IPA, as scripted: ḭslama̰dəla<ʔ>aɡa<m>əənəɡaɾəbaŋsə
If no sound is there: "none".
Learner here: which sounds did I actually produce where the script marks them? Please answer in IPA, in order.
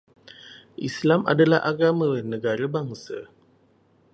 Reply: ʔ, m

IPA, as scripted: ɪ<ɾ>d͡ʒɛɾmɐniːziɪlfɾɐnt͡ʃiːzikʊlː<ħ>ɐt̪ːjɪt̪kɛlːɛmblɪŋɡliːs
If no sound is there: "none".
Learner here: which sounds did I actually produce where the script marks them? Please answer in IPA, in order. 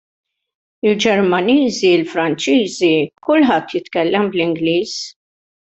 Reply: l, ħ

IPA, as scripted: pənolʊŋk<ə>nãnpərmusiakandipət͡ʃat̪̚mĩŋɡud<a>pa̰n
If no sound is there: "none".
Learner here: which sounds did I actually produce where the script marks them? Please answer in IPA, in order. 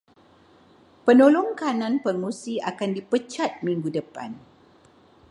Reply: a, ə

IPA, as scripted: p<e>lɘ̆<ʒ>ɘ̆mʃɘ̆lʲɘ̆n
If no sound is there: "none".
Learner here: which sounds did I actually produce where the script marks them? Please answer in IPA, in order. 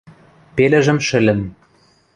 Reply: e, ʒ

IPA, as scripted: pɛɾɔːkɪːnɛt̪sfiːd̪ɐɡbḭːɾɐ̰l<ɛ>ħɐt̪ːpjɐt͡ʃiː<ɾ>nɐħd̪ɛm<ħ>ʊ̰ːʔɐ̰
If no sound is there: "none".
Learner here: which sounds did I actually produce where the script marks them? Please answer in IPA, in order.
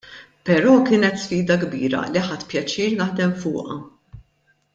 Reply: i, ɾ, f

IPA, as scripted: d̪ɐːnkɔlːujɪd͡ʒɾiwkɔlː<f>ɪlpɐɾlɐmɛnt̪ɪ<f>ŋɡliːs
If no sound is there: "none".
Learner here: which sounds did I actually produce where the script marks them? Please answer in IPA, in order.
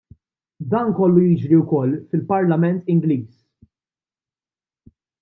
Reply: f, none

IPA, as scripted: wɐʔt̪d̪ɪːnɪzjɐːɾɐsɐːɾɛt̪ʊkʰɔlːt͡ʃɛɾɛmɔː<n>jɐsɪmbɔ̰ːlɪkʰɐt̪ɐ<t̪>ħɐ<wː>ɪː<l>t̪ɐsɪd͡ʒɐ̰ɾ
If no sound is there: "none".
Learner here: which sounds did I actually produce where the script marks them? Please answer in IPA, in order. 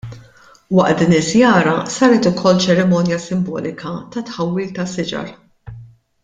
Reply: n, t̪, wː, l

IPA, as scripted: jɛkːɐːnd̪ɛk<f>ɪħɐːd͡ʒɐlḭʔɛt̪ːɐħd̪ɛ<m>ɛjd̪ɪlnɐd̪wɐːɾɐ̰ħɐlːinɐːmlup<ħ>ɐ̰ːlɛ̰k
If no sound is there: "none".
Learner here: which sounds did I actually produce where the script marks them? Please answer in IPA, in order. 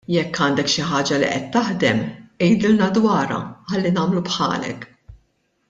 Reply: ʃ, m, ħ

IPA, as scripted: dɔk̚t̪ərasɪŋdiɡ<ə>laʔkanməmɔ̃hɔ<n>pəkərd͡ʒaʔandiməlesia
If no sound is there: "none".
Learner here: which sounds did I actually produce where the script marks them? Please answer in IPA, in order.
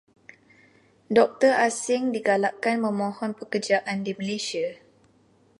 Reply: a, n

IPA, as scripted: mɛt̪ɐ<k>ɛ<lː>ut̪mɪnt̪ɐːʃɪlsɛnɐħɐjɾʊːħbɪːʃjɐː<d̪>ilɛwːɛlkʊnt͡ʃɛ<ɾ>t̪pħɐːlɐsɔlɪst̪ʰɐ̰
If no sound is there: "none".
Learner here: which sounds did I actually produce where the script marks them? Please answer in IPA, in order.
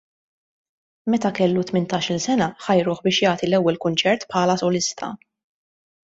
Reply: k, lː, t̪, ɾ

